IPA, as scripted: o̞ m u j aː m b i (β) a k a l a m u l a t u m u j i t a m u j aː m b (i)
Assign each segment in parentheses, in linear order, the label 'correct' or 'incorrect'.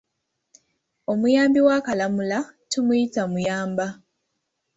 incorrect: w, incorrect: a

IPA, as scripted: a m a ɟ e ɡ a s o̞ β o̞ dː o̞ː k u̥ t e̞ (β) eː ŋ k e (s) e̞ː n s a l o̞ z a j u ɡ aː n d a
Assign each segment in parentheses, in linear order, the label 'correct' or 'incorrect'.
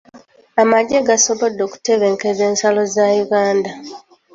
correct, incorrect: z

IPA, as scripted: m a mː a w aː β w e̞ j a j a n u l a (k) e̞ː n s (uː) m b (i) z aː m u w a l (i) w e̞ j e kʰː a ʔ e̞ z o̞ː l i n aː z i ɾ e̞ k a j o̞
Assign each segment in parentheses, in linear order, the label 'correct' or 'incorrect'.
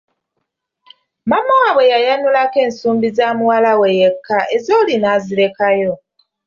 correct, correct, correct, incorrect: a

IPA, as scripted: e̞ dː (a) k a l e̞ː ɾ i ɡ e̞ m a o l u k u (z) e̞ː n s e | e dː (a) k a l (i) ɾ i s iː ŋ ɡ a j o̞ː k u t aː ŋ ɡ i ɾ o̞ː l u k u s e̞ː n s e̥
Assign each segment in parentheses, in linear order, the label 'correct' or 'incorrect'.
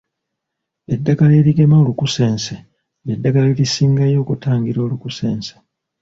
correct, incorrect: s, correct, incorrect: e

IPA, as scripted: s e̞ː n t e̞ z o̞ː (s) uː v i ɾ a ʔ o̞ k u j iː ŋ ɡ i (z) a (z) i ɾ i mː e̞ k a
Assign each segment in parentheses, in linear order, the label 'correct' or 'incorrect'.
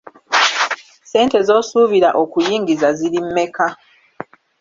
correct, correct, correct

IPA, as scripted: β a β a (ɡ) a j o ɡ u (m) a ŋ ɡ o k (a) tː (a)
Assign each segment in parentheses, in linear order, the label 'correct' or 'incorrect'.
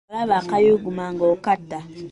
incorrect: k, correct, correct, correct

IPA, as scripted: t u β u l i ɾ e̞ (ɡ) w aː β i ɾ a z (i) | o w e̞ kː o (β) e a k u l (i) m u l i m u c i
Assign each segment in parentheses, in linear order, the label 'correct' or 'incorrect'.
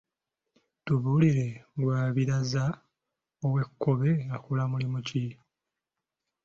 correct, incorrect: a, correct, incorrect: a

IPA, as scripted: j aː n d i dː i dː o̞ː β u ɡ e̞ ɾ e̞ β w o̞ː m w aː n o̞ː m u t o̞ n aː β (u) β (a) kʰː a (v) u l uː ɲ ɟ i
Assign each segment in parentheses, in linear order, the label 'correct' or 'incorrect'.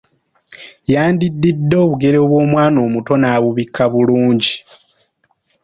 correct, incorrect: i, incorrect: β

